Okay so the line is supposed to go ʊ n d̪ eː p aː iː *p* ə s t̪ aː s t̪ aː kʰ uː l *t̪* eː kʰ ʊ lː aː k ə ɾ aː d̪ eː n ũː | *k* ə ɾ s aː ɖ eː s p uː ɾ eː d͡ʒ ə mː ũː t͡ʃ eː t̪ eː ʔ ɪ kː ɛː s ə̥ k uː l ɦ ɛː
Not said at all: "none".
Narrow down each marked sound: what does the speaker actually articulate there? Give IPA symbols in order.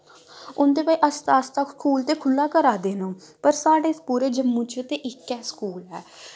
ʔ, t̪, p

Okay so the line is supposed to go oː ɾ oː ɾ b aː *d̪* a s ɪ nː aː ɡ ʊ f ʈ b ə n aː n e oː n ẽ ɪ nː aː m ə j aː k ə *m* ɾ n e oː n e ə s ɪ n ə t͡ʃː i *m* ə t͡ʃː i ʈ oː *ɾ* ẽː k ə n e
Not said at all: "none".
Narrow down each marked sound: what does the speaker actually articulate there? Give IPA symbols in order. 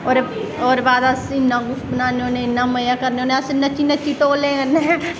d̪, none, n, l

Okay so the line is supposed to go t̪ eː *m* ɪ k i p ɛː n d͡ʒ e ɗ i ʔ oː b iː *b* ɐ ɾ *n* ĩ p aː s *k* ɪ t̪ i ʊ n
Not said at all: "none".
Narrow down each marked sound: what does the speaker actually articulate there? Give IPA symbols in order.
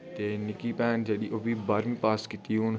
n, b, m, k

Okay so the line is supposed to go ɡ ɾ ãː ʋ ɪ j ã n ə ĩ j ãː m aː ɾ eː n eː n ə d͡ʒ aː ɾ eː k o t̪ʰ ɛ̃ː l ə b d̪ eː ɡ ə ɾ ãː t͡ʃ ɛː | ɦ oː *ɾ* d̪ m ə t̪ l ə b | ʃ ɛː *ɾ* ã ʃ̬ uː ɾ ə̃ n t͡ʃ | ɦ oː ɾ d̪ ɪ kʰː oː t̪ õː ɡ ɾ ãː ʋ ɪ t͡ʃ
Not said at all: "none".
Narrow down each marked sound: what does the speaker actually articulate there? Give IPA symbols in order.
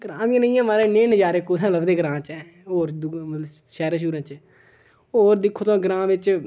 ɾ, ɾ

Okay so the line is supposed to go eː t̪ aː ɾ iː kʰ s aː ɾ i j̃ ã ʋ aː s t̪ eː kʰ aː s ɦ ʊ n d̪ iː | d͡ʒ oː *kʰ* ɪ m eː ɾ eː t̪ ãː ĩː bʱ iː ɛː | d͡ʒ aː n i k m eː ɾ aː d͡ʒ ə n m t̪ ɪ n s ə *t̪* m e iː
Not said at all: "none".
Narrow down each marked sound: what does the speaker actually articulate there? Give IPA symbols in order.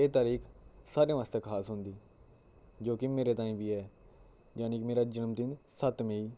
k, t̪

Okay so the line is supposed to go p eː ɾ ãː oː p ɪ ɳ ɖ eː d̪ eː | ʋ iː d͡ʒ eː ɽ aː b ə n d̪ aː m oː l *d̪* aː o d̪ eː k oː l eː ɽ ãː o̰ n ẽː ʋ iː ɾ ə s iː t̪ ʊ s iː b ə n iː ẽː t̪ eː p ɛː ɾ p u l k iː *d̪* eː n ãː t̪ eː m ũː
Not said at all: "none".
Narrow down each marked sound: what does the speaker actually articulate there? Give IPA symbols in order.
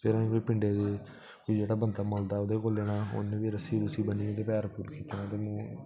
d̪, t̪

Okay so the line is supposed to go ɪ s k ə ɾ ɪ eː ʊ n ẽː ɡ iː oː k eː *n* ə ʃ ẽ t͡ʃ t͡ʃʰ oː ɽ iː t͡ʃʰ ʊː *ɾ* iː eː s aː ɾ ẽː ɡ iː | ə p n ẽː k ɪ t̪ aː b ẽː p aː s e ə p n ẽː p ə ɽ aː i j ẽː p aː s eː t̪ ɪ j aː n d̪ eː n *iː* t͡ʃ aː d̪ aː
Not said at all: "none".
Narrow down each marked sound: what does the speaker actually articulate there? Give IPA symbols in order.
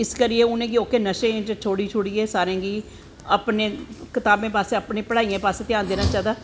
n, ɽ, aː

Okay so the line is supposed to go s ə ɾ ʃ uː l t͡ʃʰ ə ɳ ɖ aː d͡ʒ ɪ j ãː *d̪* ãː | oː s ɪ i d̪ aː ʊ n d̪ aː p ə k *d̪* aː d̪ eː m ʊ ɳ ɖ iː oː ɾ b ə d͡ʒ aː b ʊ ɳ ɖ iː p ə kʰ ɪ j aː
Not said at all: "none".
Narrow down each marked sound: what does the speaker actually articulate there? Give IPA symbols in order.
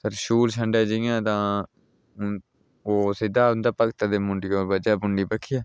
t̪, t̪

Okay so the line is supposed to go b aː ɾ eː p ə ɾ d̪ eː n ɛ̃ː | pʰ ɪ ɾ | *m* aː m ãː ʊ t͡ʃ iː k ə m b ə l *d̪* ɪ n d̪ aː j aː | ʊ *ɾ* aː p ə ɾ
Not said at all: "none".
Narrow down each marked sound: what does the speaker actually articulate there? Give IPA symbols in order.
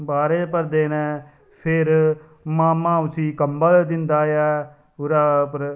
m, d̪, ɾ

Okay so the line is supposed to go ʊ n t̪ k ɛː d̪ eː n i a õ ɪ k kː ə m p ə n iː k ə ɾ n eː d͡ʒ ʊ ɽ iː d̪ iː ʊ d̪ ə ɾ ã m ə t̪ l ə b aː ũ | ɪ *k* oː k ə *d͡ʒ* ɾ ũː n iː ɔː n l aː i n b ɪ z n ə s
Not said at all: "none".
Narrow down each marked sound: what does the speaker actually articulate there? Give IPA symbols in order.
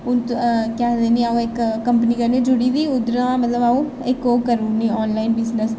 k, none

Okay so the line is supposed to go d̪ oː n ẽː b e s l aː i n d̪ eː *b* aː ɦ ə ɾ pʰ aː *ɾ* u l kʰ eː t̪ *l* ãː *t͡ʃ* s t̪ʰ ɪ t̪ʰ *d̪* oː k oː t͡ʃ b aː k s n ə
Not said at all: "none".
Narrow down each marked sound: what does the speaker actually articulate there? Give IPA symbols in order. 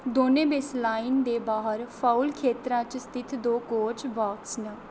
b, none, ɾ, t͡ʃ, d̪

